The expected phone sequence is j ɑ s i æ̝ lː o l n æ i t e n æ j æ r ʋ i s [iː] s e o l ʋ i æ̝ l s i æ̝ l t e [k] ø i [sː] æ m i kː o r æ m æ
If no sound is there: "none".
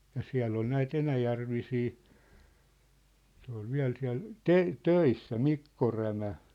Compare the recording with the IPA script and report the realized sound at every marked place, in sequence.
iː, t, sː

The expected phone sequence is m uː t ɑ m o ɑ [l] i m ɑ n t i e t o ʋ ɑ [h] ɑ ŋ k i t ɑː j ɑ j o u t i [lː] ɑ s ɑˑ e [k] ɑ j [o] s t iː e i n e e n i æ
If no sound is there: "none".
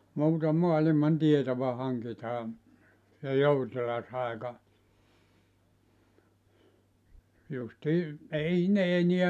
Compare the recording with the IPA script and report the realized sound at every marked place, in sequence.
l, h, l, k, u

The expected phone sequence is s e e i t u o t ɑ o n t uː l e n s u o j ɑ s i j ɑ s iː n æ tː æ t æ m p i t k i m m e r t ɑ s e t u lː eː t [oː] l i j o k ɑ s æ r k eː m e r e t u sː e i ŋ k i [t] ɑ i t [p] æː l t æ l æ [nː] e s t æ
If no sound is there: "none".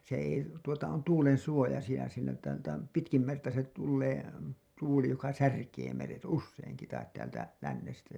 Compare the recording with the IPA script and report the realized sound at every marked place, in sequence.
uː, t, t, nː

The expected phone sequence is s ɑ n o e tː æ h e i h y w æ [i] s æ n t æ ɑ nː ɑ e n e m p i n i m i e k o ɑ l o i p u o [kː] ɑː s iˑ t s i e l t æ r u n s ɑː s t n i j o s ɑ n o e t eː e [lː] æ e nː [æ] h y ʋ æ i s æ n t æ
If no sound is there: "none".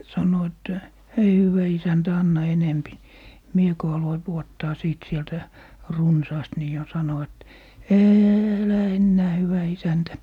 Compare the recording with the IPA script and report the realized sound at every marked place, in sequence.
i, tː, l, æː

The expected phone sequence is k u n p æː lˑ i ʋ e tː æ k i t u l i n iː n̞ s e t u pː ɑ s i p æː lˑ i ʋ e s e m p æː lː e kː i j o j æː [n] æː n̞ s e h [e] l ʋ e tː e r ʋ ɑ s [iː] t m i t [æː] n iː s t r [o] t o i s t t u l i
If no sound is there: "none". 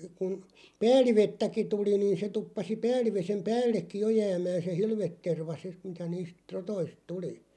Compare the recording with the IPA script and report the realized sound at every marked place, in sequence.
m, i, i, æ, o

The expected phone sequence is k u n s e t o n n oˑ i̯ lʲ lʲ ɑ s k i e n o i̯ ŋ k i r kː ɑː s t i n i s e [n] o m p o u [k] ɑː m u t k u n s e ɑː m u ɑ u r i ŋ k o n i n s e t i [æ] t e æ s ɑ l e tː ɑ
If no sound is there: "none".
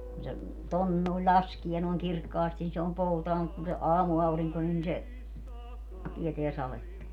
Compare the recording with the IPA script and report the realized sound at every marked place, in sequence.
none, t, e

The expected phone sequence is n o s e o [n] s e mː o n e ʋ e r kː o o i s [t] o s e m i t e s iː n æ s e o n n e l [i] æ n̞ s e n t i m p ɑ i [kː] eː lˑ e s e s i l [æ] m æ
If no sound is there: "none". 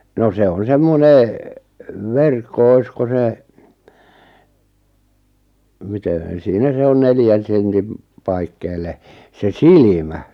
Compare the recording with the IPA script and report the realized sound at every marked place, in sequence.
n, k, j, kː, i

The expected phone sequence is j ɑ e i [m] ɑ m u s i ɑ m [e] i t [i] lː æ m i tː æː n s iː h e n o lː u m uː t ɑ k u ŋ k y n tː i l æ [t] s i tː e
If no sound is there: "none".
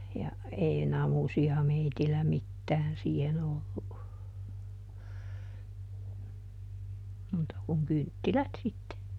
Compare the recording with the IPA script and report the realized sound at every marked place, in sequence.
n, e, i, t

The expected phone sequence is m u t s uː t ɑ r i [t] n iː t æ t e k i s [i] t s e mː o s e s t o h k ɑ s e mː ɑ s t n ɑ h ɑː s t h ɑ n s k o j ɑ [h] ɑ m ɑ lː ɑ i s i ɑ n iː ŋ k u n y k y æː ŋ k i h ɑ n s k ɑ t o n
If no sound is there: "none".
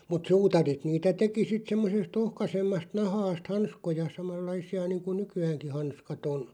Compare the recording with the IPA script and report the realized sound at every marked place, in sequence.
t, i, s

